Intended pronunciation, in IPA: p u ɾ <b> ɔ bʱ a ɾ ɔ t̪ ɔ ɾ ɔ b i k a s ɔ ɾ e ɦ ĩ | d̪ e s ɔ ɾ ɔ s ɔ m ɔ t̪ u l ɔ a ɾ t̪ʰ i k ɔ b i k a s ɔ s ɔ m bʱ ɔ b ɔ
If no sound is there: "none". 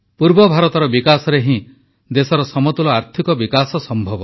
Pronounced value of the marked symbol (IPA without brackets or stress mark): b